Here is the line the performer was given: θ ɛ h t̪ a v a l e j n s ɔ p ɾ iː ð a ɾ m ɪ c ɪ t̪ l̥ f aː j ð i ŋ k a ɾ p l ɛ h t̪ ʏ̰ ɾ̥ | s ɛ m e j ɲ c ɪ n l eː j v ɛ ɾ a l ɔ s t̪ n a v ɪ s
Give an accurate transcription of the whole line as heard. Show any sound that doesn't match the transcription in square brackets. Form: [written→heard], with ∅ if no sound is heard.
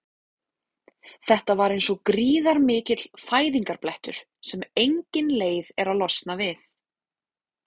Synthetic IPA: θ ɛ h t̪ a v a [l→ɾ] e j n s ɔ [p→k] ɾ iː ð a ɾ m [ɪ→ɪː] c ɪ t̪ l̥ f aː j ð i ŋ k a ɾ p l ɛ h t̪ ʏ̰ ɾ̥ | s ɛ m e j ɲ c ɪ n l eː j [v→ð] ɛ ɾ a l ɔ s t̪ n a v ɪ [s→θ]

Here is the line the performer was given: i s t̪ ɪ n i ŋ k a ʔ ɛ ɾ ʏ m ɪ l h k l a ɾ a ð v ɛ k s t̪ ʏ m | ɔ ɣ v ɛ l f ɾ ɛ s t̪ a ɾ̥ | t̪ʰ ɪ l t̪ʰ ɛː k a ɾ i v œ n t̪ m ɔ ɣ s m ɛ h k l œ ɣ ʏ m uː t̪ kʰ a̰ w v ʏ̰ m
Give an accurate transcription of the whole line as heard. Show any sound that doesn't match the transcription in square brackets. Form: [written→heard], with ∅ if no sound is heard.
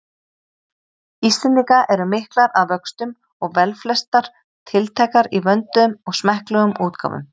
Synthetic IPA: i s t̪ ɪ n i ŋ k a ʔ ɛ ɾ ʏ m ɪ [l→∅] h k l a ɾ a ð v [ɛ→œ] k s t̪ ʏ m | ɔ ɣ v ɛ l f [ɾ→l] ɛ s t̪ a ɾ̥ | t̪ʰ ɪ l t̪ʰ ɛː k a ɾ i v œ n t̪ m ɔ ɣ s m ɛ h k l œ ɣ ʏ m uː t̪ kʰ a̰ w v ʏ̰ m

